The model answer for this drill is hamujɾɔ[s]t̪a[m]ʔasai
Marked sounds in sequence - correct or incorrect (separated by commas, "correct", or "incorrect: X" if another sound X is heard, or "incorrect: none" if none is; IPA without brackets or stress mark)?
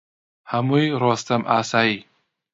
correct, correct